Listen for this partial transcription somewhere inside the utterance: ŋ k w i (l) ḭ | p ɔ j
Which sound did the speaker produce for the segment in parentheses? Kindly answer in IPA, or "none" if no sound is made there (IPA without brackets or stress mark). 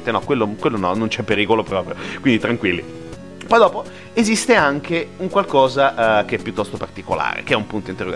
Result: lː